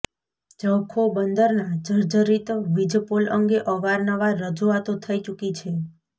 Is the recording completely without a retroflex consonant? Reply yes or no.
yes